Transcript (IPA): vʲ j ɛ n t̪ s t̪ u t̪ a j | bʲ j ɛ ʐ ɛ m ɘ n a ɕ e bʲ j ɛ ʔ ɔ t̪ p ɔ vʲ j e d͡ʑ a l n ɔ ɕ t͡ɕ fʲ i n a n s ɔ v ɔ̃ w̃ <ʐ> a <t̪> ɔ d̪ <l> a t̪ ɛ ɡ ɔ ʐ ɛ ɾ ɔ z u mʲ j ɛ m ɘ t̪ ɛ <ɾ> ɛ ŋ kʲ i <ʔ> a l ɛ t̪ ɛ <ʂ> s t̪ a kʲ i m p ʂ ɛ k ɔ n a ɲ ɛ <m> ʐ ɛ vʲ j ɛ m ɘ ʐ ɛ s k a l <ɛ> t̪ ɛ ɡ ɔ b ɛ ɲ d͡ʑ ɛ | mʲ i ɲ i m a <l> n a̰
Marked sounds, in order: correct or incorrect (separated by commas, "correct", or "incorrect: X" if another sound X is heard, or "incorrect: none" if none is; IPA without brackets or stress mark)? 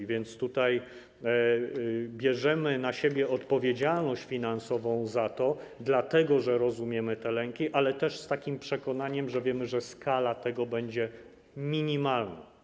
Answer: incorrect: z, correct, correct, incorrect: l, correct, correct, correct, incorrect: a, correct